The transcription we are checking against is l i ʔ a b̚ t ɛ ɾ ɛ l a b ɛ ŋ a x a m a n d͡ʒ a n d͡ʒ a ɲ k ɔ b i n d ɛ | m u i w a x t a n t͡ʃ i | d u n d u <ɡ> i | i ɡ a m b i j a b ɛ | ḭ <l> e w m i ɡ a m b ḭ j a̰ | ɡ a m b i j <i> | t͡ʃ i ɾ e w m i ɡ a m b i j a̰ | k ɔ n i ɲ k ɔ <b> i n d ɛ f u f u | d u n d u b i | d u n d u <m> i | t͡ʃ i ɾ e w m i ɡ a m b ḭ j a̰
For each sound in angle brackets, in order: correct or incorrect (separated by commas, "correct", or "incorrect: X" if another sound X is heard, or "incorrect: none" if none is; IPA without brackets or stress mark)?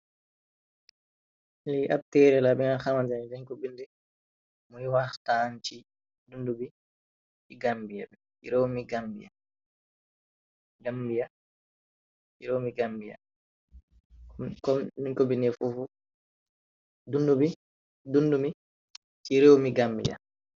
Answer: incorrect: b, incorrect: ɾ, incorrect: a, correct, correct